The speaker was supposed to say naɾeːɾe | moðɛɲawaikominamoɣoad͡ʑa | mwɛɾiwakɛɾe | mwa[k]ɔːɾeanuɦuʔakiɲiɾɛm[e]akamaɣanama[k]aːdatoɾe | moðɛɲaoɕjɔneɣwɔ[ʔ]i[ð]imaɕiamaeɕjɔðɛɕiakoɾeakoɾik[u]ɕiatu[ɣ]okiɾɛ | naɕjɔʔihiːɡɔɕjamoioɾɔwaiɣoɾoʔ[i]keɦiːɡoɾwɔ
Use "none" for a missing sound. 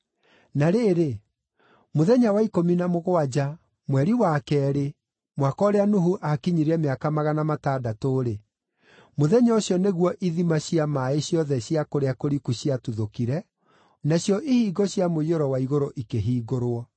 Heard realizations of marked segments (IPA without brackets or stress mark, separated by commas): k, e, t, ʔ, ð, u, ð, i